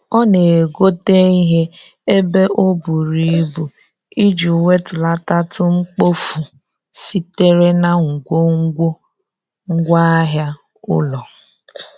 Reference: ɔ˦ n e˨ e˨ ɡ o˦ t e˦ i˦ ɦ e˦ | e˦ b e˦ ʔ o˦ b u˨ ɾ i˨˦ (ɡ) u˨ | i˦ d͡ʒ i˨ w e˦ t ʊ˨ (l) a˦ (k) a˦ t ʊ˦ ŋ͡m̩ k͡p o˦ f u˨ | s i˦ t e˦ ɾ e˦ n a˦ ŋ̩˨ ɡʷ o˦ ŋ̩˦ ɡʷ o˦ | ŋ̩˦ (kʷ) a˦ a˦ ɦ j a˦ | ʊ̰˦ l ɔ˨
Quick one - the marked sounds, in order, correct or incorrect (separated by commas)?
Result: incorrect, correct, incorrect, incorrect